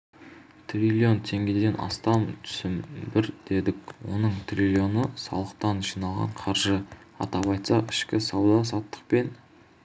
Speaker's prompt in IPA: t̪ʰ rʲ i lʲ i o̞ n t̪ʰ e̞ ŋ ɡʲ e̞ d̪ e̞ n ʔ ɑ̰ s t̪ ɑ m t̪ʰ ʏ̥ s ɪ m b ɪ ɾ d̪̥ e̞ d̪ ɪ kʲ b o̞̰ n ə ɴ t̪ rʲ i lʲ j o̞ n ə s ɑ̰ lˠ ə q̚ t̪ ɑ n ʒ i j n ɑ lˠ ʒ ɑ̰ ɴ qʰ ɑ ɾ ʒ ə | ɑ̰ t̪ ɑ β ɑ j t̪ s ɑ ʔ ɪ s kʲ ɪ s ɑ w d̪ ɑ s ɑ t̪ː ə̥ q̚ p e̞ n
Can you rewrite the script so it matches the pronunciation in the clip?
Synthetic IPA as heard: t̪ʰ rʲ i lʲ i o̞ n t̪ʰ e̞ ŋ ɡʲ e̞ d̪ e̞ n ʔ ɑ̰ s t̪ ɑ m t̪ʰ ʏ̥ s ɪ m b ɪ ɾ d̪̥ e̞ d̪ ɪ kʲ w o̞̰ n ə ɴ t̪ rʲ i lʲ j o̞ n ə s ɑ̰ lˠ ə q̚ t̪ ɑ n ʒ i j n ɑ lˠ ʁ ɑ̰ ɴ qʰ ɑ ɾ ʒ ə | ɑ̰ t̪ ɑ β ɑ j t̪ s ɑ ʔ ɪ ʃ kʲ ɪ s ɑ w d̪ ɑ s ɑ t̪ː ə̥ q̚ p e̞ n